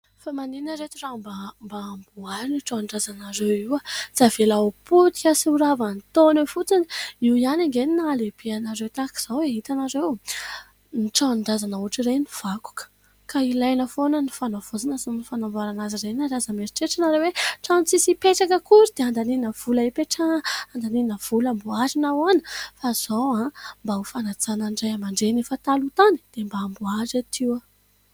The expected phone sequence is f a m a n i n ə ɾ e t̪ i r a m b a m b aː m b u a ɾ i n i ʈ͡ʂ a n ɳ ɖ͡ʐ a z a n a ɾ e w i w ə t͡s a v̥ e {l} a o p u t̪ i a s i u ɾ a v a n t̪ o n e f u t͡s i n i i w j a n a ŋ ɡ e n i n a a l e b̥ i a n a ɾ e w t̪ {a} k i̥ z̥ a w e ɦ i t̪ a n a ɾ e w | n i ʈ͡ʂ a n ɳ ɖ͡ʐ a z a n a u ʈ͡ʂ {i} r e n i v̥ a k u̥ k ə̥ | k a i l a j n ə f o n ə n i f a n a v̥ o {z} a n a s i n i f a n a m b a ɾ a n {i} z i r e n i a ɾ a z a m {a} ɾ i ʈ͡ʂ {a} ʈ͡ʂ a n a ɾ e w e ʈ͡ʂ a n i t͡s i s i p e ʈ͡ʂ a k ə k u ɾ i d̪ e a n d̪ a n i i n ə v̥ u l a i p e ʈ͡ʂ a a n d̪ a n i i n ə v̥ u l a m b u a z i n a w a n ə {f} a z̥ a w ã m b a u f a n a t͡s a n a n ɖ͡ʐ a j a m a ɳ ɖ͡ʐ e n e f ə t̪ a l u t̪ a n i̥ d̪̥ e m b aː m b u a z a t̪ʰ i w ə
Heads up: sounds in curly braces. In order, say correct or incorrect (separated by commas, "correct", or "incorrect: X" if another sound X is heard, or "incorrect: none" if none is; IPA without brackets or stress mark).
correct, correct, correct, correct, incorrect: a, incorrect: e, incorrect: e, correct